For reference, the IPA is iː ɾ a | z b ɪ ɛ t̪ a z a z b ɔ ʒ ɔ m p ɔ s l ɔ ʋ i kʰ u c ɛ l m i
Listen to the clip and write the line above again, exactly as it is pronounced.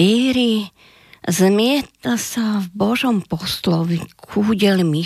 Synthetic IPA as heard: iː ɾ i | z m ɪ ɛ t̪ a s a v b ɔ ʒ ɔ m p ɔ s l ɔ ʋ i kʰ u ɟ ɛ l m i